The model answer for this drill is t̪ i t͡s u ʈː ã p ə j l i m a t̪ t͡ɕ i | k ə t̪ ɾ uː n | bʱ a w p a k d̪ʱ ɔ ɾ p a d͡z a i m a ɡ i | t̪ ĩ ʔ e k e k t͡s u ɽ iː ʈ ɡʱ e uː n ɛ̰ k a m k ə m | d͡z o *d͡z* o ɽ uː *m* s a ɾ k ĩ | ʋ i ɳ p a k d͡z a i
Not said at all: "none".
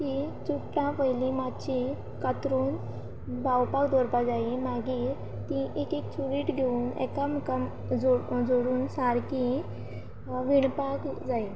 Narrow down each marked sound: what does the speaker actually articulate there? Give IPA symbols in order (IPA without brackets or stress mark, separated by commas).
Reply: d͡z, n